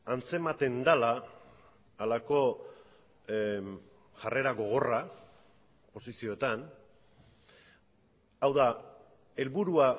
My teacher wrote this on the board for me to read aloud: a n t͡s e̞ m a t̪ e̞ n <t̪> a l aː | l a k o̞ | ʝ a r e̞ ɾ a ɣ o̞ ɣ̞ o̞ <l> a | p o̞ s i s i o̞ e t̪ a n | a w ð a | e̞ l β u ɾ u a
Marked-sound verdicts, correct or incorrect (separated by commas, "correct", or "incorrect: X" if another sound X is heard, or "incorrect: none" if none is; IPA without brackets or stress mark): incorrect: d̪, incorrect: r